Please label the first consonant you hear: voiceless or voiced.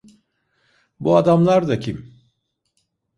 voiced